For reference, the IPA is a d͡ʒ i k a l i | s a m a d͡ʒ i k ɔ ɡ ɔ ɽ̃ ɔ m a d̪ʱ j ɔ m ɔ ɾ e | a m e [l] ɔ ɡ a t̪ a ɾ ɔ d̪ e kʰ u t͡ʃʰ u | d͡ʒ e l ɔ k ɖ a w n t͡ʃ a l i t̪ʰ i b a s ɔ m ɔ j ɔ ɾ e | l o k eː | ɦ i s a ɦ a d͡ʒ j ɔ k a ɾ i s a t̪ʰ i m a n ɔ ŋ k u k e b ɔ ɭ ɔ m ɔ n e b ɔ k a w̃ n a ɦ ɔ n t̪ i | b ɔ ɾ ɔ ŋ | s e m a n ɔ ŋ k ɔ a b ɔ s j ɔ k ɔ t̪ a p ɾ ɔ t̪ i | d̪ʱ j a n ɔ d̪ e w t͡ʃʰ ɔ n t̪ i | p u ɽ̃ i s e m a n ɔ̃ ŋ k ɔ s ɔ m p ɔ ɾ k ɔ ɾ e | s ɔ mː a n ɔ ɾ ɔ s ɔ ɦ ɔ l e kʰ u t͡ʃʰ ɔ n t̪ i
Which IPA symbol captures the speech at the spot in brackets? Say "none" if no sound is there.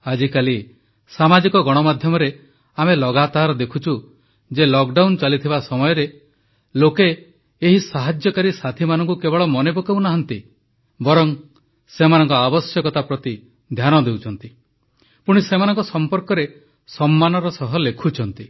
l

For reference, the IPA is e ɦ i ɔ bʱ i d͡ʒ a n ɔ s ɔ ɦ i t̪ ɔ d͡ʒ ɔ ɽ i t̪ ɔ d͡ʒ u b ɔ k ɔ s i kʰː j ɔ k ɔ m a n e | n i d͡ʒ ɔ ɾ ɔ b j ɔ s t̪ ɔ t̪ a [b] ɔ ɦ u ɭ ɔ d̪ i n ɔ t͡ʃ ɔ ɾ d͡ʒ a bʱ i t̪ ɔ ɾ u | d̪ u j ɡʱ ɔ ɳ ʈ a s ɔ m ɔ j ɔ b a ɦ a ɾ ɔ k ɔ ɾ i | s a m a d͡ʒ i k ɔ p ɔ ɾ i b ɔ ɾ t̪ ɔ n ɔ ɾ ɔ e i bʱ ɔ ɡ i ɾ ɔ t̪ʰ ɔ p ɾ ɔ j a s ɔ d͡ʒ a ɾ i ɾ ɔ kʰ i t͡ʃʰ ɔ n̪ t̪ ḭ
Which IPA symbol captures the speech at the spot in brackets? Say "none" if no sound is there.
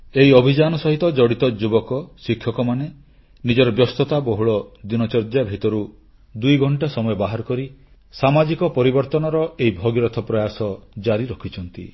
b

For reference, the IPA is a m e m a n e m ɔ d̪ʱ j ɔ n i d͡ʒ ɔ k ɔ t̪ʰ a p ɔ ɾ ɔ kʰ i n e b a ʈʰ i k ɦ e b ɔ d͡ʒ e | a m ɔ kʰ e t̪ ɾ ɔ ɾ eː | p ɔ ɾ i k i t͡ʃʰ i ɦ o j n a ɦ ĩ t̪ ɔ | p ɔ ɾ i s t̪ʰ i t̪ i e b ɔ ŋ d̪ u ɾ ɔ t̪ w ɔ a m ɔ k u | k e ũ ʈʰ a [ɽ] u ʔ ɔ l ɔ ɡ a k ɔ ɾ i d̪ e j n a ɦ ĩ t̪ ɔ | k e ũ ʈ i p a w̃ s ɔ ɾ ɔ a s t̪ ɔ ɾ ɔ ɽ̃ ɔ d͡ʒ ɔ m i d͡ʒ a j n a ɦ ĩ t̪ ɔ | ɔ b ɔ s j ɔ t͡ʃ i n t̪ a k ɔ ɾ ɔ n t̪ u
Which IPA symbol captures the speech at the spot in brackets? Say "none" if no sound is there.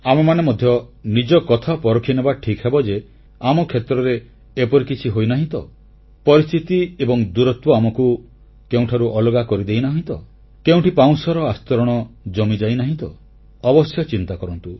ɾ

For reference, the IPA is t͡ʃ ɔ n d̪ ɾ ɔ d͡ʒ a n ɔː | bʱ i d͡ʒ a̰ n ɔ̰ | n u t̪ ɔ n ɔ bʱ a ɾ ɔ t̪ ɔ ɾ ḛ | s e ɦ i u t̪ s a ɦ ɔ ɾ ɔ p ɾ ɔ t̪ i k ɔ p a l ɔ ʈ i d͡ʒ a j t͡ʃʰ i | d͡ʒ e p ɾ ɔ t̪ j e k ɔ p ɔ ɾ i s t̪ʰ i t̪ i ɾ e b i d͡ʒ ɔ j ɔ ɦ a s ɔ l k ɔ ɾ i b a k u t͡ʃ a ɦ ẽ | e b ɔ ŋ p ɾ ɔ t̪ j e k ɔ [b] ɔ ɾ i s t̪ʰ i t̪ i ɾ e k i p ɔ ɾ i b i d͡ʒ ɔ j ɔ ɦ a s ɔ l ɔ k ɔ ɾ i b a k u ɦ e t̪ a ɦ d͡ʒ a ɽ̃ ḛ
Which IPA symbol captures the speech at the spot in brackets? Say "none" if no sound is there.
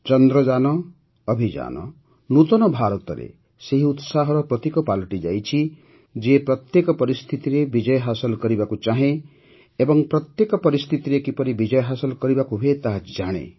p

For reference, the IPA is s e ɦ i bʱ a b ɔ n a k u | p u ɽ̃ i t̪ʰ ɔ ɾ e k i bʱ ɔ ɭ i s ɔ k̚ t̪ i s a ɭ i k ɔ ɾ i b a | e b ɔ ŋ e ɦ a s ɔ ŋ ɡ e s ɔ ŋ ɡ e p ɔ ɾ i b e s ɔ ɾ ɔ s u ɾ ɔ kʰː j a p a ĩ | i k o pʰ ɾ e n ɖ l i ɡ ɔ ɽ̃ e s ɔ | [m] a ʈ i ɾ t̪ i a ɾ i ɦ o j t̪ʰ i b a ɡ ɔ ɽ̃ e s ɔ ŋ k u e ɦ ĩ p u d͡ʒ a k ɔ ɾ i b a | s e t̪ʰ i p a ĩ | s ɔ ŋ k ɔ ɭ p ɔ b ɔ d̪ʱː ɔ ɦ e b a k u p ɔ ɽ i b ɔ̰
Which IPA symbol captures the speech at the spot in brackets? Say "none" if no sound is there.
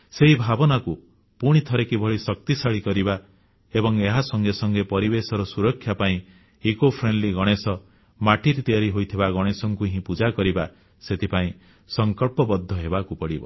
m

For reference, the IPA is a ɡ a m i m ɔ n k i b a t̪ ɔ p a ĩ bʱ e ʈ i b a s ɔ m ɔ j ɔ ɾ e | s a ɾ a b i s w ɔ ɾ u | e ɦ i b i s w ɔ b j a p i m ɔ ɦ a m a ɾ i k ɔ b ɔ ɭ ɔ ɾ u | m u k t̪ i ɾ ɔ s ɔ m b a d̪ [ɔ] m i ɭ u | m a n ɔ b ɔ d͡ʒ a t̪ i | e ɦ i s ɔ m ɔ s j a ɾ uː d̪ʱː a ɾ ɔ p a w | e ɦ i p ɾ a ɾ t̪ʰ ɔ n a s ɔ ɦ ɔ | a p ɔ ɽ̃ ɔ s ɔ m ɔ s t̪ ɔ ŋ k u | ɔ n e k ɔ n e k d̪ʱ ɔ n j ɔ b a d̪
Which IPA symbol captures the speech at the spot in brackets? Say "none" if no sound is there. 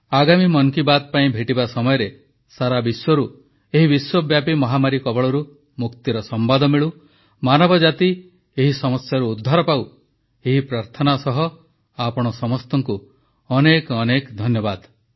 ɔ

